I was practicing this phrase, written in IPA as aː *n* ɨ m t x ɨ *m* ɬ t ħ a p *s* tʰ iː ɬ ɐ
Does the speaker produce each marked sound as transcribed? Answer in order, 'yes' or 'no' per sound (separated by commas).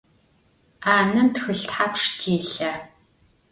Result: yes, no, no